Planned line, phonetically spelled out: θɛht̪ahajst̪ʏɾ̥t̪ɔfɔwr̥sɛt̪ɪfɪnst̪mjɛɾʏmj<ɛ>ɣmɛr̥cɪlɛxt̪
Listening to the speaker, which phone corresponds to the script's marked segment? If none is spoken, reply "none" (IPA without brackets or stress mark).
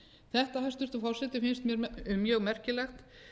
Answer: œ